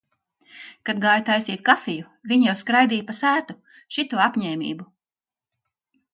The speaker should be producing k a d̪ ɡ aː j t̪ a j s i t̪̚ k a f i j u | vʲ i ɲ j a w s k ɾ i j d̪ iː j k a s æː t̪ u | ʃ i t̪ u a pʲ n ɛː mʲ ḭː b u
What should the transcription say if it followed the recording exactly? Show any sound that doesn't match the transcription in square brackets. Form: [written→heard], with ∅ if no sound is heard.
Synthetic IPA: k a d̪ ɡ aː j t̪ a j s [i→iː] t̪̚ k a f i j u | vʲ i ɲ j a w s k ɾ [i→a] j d̪ iː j [k→p] a s æː t̪ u | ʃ i t̪ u a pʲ [n→ɲ] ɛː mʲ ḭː b u